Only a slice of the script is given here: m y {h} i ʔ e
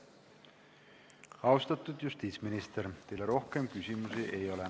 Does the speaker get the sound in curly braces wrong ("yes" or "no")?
yes